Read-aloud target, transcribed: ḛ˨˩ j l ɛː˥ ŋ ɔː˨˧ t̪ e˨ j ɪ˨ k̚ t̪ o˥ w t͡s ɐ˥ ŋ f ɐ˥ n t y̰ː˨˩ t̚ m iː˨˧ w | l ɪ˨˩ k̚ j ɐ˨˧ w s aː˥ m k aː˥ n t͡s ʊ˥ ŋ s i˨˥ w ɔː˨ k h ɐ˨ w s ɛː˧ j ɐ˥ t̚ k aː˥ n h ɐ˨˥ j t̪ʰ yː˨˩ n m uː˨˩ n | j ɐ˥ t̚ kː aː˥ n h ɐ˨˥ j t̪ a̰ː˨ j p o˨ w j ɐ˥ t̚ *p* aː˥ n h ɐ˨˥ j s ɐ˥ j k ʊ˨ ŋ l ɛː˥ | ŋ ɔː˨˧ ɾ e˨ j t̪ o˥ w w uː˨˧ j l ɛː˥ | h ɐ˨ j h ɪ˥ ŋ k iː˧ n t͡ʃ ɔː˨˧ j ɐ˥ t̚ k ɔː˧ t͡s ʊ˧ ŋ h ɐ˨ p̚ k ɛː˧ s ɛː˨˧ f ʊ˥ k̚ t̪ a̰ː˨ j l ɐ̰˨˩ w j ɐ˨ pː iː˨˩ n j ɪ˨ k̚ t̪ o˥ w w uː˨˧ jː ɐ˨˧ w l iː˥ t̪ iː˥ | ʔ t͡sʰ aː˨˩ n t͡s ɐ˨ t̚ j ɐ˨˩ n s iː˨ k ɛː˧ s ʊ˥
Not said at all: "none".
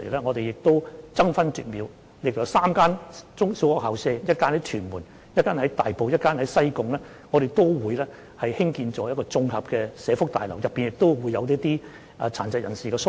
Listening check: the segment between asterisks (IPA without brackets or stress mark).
k